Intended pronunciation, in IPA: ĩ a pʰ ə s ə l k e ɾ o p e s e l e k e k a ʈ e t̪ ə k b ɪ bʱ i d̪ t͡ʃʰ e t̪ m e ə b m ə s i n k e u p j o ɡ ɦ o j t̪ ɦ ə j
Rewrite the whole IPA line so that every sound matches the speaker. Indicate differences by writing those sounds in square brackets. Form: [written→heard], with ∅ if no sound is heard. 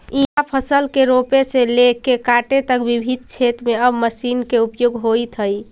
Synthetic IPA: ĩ a pʰ ə s ə l k e ɾ o p e s e l e k e k a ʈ e t̪ ə k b [ɪ→i] bʱ i d̪ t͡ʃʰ e t̪ m e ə b m ə s i n k e u p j o ɡ ɦ o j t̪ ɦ ə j